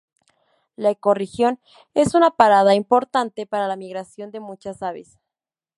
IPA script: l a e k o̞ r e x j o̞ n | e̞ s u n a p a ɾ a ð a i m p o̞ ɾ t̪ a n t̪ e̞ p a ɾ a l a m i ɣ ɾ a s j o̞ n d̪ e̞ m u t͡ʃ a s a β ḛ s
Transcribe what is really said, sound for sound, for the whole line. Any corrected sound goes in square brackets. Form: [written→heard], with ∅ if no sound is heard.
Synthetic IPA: l a e k o̞ r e x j o̞ n | e̞ s u n a p a ɾ a ð a i m p o̞ ɾ t̪ a n t̪ e̞ p a ɾ a l a m i ɣ ɾ a s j o̞ n d̪ e̞ m u t͡ʃ a s a β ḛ s